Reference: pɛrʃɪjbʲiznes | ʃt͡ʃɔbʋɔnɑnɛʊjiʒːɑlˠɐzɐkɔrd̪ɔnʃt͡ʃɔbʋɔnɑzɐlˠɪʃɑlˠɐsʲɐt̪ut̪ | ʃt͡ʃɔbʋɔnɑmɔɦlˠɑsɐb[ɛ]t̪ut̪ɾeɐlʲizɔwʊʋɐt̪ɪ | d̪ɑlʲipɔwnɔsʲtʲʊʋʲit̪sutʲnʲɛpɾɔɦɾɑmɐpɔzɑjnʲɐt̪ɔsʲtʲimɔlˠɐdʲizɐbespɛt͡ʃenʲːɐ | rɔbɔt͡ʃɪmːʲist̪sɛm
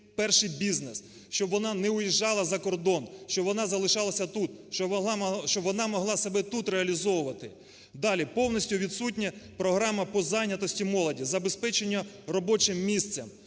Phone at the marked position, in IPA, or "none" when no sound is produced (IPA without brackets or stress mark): ɛ